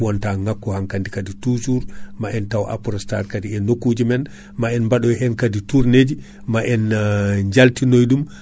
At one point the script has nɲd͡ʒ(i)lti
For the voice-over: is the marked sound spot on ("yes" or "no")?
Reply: no